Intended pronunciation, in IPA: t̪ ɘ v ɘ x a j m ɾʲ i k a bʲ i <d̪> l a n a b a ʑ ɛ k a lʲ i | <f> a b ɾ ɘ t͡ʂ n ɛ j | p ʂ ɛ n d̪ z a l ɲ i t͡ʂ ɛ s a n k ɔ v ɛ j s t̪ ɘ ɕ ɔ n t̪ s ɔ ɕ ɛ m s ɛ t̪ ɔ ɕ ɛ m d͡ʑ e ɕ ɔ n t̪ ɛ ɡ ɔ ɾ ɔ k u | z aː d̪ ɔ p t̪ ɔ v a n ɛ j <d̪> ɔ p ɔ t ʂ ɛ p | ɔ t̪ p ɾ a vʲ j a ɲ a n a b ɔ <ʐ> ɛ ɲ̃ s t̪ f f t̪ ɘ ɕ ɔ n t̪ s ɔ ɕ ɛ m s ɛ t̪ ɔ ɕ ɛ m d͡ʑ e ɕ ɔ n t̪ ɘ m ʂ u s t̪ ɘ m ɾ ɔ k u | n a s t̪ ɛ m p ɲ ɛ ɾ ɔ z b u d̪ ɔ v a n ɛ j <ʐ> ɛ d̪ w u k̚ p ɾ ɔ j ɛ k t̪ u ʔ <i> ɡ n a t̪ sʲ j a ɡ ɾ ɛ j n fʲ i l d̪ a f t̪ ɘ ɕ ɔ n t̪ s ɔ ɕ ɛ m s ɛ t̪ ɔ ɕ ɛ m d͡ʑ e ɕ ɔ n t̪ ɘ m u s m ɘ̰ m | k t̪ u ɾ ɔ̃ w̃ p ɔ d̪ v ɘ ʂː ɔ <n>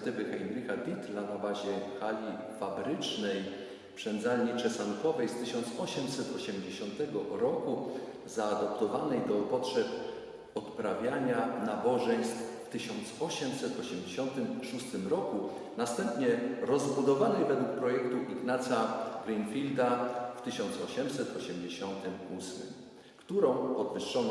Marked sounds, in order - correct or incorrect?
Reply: incorrect: t̪, correct, correct, correct, incorrect: v, correct, correct

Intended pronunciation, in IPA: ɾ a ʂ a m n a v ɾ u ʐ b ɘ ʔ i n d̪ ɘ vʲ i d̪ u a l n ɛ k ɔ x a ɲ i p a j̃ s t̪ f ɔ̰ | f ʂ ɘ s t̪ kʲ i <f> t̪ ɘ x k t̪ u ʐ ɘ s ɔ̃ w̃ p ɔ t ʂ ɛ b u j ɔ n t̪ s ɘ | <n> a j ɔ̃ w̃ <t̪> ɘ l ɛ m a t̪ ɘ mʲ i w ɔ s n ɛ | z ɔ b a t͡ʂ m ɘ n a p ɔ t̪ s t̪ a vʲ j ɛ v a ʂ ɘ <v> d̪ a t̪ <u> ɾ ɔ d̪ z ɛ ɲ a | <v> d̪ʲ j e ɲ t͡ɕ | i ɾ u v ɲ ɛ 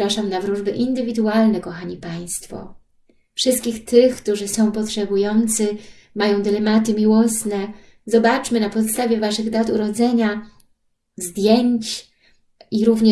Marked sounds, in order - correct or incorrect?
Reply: incorrect: x, incorrect: m, incorrect: d̪, incorrect: ɣ, correct, incorrect: z

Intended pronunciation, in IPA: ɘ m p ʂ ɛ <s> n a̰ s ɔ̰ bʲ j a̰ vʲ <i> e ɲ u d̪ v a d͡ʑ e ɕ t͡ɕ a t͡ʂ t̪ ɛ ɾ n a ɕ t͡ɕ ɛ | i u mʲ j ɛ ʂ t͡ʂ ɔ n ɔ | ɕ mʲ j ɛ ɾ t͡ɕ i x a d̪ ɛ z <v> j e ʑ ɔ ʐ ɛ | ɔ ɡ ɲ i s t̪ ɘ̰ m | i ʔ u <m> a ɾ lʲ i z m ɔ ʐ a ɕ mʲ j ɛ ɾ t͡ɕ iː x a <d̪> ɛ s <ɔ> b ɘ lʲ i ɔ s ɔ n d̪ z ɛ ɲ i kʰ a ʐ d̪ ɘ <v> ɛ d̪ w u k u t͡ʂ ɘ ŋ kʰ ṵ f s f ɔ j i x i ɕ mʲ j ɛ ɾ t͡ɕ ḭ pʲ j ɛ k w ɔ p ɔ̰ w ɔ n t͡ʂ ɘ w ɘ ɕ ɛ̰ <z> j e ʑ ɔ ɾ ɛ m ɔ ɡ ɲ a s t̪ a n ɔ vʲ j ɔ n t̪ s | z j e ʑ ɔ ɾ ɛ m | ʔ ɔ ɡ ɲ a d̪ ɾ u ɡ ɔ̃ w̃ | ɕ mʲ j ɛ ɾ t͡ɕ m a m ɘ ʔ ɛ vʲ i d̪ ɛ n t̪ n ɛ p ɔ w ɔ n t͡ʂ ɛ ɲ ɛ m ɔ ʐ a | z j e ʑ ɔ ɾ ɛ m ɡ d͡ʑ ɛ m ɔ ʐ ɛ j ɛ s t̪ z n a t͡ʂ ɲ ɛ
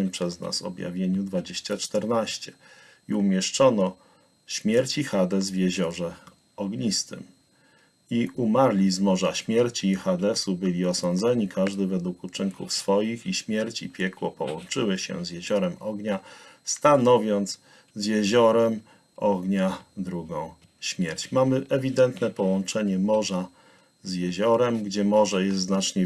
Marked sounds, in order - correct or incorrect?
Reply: incorrect: z, incorrect: j, correct, correct, correct, incorrect: u, correct, correct

